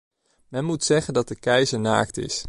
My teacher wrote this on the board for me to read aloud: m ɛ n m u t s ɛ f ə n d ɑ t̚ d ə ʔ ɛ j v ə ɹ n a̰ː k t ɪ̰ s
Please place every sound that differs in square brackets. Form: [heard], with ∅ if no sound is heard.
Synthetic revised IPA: m ɛ n m u t s ɛ [χ] ə n d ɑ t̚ d ə [k] ɛ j [z] ə ɹ n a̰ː k t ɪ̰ s